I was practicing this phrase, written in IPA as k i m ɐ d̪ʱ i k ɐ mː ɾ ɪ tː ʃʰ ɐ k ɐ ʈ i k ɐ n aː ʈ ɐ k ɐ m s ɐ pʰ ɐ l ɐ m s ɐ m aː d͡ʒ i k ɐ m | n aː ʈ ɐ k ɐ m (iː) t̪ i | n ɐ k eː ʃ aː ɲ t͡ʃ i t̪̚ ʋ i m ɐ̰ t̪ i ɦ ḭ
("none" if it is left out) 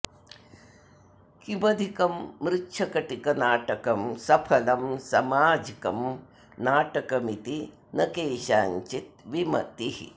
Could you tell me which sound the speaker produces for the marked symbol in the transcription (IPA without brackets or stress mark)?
i